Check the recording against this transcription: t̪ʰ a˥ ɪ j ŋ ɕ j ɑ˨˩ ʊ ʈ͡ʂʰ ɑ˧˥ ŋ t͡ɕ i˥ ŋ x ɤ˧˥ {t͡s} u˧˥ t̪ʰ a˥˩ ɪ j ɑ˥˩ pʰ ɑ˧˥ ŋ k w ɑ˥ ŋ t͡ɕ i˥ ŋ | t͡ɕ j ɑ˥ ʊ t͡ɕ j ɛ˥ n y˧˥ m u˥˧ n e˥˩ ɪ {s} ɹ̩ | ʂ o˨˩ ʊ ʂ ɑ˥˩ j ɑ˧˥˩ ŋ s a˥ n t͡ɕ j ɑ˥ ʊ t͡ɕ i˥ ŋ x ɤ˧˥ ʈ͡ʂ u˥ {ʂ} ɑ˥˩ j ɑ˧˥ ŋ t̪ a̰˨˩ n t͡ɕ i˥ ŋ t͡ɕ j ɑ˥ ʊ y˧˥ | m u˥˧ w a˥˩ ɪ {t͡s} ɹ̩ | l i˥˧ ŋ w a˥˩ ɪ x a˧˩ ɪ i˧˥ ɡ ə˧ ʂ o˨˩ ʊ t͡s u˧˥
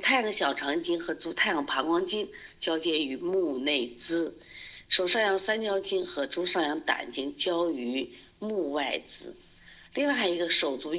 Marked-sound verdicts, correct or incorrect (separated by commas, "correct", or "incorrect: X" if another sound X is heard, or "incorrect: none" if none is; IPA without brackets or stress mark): correct, incorrect: t͡s, correct, correct